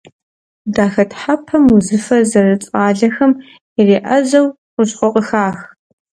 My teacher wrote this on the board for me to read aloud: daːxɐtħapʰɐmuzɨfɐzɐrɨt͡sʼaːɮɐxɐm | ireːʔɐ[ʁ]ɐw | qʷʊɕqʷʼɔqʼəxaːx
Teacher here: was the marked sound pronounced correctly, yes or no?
no